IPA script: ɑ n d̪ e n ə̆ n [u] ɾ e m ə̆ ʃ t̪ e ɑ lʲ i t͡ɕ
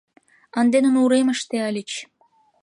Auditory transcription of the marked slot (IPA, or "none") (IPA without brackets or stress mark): u